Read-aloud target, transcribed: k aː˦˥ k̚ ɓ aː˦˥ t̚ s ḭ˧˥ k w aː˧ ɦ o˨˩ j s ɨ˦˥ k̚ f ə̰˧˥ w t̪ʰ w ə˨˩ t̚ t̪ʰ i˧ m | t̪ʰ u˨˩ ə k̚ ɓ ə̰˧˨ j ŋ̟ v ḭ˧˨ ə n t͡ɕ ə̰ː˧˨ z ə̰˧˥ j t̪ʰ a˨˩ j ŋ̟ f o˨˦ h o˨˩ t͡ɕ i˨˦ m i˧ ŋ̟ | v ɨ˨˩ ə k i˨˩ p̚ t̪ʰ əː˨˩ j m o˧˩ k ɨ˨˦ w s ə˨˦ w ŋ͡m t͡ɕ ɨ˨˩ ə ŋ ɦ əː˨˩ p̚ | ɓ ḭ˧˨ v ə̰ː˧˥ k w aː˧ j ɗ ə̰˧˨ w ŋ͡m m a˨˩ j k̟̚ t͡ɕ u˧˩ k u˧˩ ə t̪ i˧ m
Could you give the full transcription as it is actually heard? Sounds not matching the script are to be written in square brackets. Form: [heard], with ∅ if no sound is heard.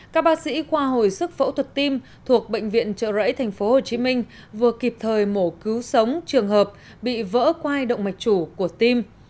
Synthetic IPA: k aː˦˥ k̚ ɓ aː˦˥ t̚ s ḭ˧˥ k w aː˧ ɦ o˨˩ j s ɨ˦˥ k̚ f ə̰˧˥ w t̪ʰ w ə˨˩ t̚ [t̪] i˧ m | t̪ʰ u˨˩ ə k̚ ɓ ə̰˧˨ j ŋ̟ v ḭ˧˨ ə n t͡ɕ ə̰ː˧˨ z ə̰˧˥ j t̪ʰ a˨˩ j ŋ̟ f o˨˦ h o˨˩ t͡ɕ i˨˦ m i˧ ŋ̟ | v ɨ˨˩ ə k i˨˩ p̚ t̪ʰ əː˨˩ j m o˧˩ k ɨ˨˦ w s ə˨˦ w ŋ͡m t͡ɕ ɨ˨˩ ə ŋ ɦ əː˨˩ p̚ | ɓ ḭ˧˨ v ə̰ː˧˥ k w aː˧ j ɗ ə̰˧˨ w ŋ͡m m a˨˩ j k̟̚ t͡ɕ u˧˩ k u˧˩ ə t̪ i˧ m